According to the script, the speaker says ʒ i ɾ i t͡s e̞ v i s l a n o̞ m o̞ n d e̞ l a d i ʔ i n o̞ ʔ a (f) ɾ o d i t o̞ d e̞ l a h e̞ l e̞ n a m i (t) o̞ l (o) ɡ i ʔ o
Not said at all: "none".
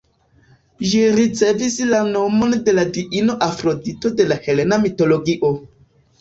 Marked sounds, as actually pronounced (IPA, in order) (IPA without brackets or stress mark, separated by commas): f, t, o